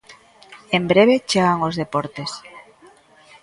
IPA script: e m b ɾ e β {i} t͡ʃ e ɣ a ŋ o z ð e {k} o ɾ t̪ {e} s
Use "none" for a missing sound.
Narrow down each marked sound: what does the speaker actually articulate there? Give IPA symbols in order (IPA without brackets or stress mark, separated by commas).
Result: e, p, e